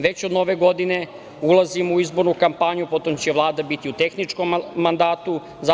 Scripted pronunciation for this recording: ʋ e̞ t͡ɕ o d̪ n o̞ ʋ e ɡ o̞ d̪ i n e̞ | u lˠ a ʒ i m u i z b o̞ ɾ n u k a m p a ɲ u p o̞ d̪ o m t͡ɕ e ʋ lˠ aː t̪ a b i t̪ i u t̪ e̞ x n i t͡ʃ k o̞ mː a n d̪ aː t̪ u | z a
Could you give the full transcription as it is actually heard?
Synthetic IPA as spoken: ʋ e̞ t͡ɕ o d̪ n o̞ ʋ e ɡ o̞ d̪ i n e̞ | u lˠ a z i m u i z b o̞ ɾ n u k a m p a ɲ u p o̞ t̪ o m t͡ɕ e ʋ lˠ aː d̪ a b i t̪ i u t̪ e̞ x n i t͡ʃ k o̞ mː a n d̪ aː t̪ u | z a

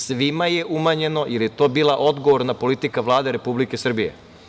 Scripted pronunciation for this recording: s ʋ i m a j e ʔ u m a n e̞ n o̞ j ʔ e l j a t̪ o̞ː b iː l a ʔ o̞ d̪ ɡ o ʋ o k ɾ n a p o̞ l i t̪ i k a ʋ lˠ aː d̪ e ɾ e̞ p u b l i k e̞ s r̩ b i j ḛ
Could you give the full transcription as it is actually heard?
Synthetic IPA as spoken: s ʋ i m a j e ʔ u m a ɲ e̞ n o̞ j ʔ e l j e t̪ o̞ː b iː l a ʔ o̞ d̪ ɡ o ʋ o ɾ n a p o̞ l i t̪ i k a ʋ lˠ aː d̪ e ɾ e̞ p u b l i k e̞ s r̩ b i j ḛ

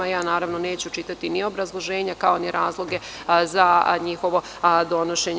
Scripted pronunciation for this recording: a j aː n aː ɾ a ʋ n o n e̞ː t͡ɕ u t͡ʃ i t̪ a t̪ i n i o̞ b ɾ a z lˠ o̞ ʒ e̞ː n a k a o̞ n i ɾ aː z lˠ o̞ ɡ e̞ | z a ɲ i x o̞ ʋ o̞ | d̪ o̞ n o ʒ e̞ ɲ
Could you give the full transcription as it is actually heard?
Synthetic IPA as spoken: a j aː n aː ɾ a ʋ n o n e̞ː t͡ɕ u t͡ʃ i t̪ a t̪ i n i o̞ b ɾ a z lˠ o̞ ʒ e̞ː ɲ a k a o̞ n i ɾ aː z lˠ o̞ ɡ e̞ | z a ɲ i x o̞ ʋ o̞ | d̪ o̞ n o ʃ e̞ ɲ

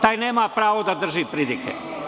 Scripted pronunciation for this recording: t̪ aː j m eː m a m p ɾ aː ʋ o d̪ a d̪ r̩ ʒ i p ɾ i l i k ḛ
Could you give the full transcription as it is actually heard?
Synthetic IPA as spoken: t̪ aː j n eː m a p ɾ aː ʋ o d̪ a d̪ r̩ ʒ i p ɾ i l i k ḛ

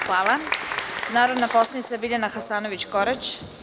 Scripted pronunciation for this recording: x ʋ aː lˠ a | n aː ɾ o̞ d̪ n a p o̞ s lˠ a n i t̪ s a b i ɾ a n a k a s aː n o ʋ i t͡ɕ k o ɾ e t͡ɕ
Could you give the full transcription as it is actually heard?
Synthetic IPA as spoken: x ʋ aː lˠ a | n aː ɾ o̞ d̪ n a p o̞ s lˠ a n i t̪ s a b i ʎ a n a x a s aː n o ʋ i t͡ɕ k o ɾ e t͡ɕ

